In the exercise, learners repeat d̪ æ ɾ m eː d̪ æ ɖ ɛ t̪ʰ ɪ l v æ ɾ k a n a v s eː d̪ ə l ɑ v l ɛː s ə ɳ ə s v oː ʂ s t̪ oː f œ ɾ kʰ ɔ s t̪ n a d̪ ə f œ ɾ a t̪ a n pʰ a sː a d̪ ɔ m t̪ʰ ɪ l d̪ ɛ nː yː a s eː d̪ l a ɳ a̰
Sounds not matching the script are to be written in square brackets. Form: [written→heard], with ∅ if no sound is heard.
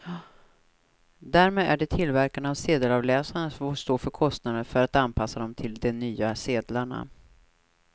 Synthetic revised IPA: d̪ æ ɾ m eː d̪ æ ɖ ɛ t̪ʰ ɪ l v æ ɾ k a n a v s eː d̪ ə l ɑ v l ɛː s [ə→a] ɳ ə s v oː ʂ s t̪ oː f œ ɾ kʰ ɔ s t̪ n a d̪ ə f œ ɾ a t̪ a n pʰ a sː a d̪ ɔ m t̪ʰ ɪ l d̪ ɛ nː yː a s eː d̪ l a ɳ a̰